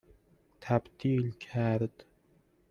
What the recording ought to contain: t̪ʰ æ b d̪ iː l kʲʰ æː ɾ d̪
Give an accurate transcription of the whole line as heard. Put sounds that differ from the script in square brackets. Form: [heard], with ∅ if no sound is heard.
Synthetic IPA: t̪ʰ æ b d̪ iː l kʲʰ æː ɾ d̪